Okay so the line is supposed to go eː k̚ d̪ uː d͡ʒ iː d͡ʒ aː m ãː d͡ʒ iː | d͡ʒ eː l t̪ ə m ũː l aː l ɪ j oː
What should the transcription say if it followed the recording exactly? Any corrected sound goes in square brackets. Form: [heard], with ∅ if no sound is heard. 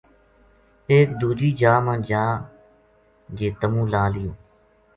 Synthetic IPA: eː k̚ d̪ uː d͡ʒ iː d͡ʒ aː m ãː d͡ʒ [aː] | d͡ʒ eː [∅] t̪ ə m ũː l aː l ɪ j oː